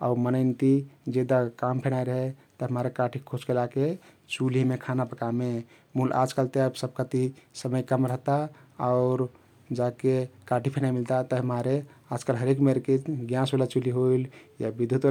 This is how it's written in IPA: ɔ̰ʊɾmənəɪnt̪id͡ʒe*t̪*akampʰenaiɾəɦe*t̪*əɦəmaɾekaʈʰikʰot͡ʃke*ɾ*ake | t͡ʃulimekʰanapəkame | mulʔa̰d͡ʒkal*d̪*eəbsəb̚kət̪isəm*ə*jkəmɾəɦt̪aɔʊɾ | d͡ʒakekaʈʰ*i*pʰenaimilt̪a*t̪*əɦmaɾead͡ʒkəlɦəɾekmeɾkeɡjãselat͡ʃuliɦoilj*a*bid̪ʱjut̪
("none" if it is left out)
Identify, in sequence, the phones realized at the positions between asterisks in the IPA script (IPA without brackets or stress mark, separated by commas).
d̪, t̪, l, t̪, ə, i, t̪, a